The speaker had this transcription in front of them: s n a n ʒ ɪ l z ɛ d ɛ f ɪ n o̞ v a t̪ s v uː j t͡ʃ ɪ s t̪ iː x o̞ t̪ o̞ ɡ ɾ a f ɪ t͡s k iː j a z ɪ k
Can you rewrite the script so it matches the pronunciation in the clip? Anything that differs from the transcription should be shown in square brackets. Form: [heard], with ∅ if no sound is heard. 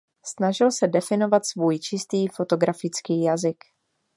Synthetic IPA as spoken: s n a [∅] ʒ ɪ l [s] ɛ d ɛ f ɪ n o̞ v a t̪ s v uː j t͡ʃ ɪ s t̪ iː [f] o̞ t̪ o̞ ɡ ɾ a f ɪ t͡s k iː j a z ɪ k